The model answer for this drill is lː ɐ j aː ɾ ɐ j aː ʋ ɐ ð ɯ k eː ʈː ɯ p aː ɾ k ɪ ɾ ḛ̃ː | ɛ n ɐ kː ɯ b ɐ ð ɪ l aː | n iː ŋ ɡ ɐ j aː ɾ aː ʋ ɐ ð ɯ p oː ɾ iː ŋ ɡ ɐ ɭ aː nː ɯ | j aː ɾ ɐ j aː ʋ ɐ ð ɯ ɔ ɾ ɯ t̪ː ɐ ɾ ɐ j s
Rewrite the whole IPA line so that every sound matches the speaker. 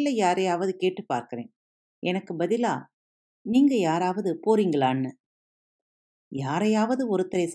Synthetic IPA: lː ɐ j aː ɾ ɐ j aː ʋ ɐ ð ɯ k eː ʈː ɯ p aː ɾ k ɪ ɾ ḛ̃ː | ɛ n ɐ kː ɯ b ɐ ð ɪ l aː | n iː ŋ ɡ ɐ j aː ɾ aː ʋ ɐ ð ɯ p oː ɾ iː ŋ ɡ ɐ ɭ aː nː ɯ | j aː ɾ ɐ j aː ʋ ɐ ð ɯ ɔ ɾ ɯ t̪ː ɐ ɾ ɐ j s